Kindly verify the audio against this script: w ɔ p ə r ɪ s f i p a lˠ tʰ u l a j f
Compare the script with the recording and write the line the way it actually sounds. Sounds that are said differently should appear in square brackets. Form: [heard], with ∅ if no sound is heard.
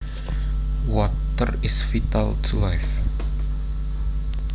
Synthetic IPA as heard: w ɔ [t] ə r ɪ s f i [t] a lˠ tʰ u l a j f